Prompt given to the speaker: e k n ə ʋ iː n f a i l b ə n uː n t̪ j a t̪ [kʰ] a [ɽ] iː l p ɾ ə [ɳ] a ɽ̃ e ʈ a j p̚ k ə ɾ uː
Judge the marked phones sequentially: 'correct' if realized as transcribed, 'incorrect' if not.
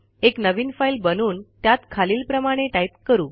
correct, incorrect, incorrect

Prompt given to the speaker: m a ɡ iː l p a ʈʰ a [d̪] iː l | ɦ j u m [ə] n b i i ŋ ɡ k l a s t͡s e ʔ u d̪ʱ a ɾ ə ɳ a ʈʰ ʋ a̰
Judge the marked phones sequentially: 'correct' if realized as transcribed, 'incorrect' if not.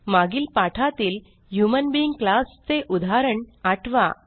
incorrect, correct

